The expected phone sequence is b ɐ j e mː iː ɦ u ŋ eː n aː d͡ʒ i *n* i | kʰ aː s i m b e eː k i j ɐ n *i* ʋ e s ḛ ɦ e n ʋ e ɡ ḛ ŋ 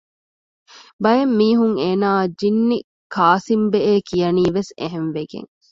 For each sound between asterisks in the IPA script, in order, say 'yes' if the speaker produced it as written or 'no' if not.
no, no

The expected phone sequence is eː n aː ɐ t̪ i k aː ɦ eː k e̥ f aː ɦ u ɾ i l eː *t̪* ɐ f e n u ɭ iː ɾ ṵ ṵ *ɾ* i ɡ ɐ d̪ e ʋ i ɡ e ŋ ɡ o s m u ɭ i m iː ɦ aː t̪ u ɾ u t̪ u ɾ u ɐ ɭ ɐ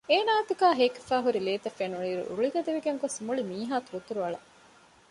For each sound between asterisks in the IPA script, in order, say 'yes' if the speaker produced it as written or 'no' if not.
yes, no

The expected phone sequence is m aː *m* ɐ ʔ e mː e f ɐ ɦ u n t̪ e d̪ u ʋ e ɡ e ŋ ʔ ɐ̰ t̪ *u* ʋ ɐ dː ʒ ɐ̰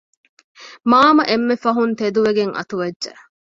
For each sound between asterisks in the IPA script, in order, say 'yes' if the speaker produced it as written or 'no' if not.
yes, yes

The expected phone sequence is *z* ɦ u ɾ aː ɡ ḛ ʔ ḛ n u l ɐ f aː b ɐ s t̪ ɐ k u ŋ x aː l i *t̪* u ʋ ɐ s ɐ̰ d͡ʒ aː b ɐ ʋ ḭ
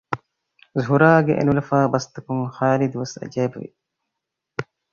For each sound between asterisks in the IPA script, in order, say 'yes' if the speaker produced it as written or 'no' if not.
yes, no

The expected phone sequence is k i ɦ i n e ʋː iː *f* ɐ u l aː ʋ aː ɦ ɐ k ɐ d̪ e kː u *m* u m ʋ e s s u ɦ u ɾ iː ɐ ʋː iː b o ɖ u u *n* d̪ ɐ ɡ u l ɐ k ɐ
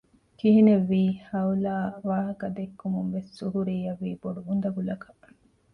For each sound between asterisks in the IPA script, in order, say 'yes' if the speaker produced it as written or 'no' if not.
no, yes, yes

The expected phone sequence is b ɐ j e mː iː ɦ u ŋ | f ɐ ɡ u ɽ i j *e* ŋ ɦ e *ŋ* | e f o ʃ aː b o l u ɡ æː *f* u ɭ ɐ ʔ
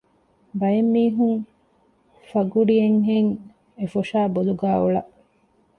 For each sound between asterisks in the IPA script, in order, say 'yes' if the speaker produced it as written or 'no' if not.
yes, yes, no

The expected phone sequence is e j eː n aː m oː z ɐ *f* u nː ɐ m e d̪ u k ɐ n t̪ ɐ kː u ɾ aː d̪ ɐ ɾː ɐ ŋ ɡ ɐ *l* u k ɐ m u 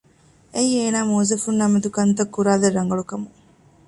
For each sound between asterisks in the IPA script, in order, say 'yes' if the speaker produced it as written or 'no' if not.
yes, no

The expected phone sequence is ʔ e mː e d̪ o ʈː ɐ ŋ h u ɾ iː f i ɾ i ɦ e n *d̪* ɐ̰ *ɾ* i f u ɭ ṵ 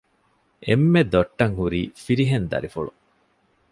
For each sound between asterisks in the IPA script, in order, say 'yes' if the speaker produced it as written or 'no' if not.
yes, yes

